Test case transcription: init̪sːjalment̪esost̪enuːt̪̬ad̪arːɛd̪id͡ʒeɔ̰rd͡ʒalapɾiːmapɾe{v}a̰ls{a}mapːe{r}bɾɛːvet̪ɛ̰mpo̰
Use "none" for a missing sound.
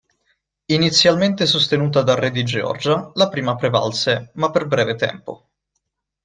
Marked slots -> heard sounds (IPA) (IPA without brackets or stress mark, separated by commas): v, e, r